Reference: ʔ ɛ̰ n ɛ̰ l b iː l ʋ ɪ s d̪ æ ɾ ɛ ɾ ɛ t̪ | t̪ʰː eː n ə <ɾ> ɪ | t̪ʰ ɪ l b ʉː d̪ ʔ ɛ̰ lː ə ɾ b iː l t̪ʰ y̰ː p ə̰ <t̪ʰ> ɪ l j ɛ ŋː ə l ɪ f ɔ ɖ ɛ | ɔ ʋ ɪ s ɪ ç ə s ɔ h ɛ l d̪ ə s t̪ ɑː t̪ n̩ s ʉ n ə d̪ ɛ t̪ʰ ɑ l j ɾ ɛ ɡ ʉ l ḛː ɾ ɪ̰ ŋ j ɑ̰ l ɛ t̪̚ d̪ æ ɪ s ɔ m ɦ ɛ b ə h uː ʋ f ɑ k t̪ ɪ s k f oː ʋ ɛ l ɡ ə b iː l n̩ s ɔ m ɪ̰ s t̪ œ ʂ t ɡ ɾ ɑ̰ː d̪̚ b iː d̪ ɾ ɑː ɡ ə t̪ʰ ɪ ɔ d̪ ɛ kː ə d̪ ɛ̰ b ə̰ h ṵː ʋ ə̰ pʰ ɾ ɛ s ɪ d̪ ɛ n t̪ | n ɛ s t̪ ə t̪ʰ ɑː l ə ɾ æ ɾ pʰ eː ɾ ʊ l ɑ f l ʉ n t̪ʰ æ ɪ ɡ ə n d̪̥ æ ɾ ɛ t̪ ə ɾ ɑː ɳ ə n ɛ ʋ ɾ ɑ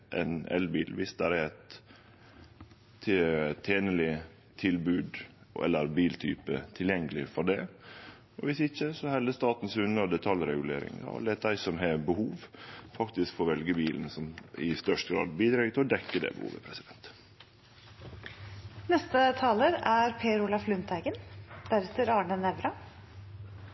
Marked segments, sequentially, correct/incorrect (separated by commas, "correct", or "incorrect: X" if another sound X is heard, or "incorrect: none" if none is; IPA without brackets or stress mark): incorrect: l, correct